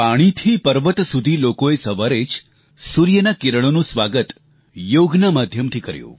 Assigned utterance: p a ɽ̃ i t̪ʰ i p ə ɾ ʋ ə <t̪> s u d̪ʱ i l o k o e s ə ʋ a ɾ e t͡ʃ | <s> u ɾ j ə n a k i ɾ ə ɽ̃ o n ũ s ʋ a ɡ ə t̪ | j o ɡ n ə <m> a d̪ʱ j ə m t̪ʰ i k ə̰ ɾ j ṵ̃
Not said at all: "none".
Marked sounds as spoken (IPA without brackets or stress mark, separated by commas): t̪, s, m